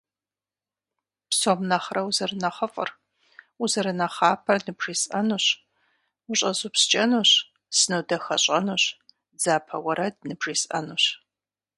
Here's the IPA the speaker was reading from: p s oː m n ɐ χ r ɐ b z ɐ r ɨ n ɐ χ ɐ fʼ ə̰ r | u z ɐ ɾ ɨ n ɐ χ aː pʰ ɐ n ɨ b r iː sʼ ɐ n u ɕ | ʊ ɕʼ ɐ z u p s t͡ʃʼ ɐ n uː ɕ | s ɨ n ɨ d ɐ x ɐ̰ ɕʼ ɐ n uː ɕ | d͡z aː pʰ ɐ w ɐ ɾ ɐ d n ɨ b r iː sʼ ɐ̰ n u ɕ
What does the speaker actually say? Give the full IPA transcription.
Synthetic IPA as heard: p s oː m n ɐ χ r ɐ w z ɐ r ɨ n ɐ χ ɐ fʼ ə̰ r | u z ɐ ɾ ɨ n ɐ χ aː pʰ ɐ n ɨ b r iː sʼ ɐ n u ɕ | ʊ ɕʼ ɐ z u p s t͡ʃʼ ɐ n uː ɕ | s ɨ n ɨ d ɐ x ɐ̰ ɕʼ ɐ n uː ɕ | d͡z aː pʰ ɐ w ɐ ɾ ɐ d n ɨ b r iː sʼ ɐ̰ n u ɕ